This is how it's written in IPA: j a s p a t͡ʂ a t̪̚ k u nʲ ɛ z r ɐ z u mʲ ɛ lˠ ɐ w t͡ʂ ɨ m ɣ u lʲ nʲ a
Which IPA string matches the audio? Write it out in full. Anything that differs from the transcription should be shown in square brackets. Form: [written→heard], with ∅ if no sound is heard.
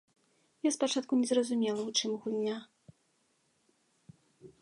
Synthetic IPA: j a s p a t͡ʂ a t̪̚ k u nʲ ɛ z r ɐ z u mʲ ɛ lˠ ɐ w t͡ʂ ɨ m ɣ u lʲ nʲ a